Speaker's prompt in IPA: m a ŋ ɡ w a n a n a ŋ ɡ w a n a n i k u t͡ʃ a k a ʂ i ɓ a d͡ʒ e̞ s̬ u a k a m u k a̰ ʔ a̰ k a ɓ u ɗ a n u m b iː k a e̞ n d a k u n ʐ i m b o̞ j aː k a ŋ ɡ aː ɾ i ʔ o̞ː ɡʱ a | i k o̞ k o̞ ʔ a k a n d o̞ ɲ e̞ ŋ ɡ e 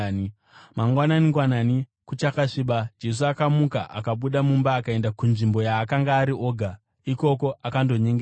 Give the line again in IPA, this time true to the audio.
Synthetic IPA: m a ŋ ɡ w a n a n i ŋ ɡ w a n a n i k u t͡ʃ a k a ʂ i ɓ a d͡ʒ e̞ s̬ u a k a m u k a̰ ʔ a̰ k a ɓ u ɗ a m u m b aː k a e̞ n d a k u n ʐ i m b o̞ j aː k a ŋ ɡ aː ɾ i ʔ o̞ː ɡʱ a | i k o̞ k o̞ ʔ a k a n d o̞ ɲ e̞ ŋ ɡ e